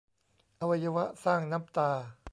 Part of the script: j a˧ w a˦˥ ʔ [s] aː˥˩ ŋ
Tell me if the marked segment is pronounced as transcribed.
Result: yes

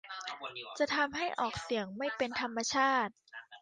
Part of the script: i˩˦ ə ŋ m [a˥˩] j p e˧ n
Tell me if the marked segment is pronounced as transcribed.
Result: yes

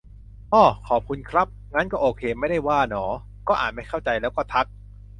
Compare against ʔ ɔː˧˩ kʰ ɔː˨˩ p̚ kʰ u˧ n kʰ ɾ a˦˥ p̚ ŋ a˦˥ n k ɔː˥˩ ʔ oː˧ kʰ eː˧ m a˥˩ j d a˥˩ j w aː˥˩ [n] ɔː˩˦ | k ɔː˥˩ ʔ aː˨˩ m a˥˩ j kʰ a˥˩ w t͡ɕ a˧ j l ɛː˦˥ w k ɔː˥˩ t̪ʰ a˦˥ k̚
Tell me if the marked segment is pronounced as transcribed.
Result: yes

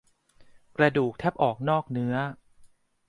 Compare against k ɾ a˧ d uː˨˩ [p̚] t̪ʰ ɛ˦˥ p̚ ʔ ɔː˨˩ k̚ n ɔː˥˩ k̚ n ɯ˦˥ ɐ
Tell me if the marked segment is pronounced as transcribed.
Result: no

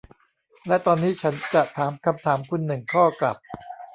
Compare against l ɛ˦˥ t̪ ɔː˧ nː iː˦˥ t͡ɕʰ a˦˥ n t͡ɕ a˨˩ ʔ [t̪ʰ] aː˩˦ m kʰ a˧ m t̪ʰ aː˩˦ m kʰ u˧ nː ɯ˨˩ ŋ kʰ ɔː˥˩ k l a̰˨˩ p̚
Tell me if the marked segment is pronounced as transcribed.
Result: yes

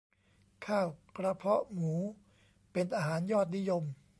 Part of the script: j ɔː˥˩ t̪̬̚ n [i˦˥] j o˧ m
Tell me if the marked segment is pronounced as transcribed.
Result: yes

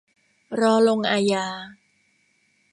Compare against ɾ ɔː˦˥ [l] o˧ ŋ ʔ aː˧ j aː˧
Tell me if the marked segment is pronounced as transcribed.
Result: yes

